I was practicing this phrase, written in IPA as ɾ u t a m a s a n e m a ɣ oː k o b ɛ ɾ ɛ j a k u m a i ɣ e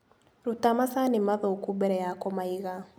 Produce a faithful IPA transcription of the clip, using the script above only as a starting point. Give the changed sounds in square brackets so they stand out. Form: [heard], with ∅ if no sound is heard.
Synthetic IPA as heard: ɾ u t a m a s a n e m a [ð] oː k [u] b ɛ ɾ ɛ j a k [ɔ] m a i ɣ [a]